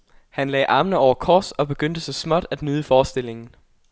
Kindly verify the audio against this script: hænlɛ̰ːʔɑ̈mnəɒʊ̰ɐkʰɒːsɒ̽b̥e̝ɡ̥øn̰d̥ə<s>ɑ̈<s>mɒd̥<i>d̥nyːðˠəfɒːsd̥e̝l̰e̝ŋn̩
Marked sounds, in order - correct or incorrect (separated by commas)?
correct, correct, incorrect